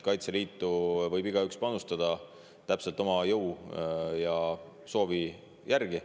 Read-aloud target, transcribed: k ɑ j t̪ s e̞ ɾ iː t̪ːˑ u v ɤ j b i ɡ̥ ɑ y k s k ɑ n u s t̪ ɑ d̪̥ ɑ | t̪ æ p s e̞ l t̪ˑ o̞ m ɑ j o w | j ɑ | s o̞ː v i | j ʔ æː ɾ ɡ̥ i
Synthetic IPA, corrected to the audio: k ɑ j t̪ s e̞ l iː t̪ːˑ u v ɤ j b i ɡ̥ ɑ y k s p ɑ n u s t̪ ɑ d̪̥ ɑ | t̪ æ p s e̞ l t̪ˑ o̞ m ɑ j ɤ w | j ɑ | s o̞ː v i | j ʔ æ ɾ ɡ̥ i